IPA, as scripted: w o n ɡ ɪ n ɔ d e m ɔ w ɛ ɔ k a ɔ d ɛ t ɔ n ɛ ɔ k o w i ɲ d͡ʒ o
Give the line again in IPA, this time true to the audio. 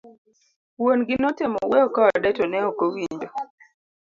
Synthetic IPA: w o n ɡ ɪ n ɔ t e m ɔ w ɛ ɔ k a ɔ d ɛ t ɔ n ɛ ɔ k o w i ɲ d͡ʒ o